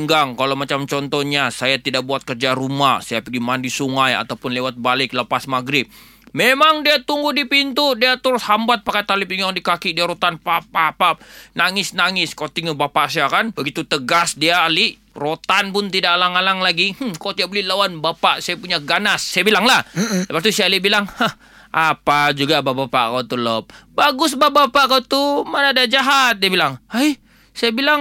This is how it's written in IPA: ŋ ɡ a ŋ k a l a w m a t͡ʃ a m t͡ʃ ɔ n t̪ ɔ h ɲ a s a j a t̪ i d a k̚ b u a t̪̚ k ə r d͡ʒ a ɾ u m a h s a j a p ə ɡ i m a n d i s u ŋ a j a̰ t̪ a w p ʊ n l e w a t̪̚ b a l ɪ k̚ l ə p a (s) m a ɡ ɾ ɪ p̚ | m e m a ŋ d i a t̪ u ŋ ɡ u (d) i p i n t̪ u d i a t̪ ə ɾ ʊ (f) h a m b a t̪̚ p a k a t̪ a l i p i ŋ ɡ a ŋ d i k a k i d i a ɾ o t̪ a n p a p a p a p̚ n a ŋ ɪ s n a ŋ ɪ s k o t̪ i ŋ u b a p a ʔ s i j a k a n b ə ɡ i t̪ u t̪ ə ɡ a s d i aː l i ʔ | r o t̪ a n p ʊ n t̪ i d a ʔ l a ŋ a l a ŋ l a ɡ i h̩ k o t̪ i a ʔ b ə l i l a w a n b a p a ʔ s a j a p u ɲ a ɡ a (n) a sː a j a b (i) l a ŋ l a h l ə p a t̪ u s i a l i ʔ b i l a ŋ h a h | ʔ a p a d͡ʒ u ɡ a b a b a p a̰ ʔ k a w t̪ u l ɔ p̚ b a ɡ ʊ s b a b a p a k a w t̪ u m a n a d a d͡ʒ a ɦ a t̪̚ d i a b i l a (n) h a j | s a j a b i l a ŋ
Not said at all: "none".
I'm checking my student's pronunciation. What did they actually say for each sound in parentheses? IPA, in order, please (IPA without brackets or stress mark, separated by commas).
s, d, s, n, i, ŋ